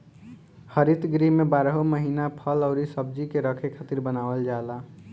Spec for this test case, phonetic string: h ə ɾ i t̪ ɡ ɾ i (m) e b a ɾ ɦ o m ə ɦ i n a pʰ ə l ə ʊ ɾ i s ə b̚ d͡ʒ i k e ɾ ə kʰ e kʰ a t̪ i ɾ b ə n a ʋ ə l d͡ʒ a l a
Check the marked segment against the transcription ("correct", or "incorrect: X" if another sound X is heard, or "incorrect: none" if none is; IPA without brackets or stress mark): correct